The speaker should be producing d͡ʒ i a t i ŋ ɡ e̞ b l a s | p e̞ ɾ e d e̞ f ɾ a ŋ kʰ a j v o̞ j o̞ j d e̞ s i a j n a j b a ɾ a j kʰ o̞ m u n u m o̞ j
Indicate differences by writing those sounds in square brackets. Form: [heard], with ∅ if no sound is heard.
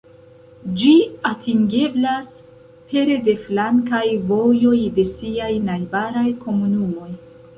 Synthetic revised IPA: d͡ʒ i a t i ŋ ɡ e̞ b l a s | p e̞ ɾ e d e̞ f [l] a ŋ [k] a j v o̞ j o̞ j d e̞ s i a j n a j b a ɾ a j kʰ o̞ m u n u m o̞ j

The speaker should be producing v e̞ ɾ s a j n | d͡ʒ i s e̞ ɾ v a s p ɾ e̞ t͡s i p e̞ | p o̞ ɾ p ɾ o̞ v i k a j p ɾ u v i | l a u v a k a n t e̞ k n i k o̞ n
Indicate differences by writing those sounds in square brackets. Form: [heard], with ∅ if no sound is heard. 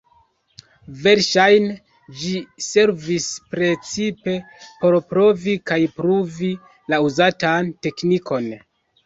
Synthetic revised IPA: v e̞ ɾ [ʃ] a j n | d͡ʒ i s e̞ ɾ v [i] s p ɾ e̞ t͡s i p e̞ | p o̞ ɾ p ɾ o̞ v i k a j p ɾ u v i | l a u [z] a [t] a n t e̞ k n i k o̞ n

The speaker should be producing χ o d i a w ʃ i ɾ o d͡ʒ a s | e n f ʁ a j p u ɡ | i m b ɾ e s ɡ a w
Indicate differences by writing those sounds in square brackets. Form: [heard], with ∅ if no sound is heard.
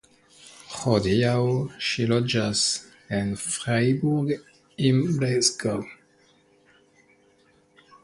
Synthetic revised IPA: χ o d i a w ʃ i [l] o d͡ʒ a s | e n f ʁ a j [b] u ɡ | i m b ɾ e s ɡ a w

